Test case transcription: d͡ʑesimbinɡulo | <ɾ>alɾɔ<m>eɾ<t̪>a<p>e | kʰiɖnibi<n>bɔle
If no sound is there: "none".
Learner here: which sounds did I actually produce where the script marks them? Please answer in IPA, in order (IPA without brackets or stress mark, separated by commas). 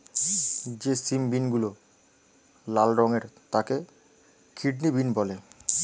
l, ŋ, t̪, k, n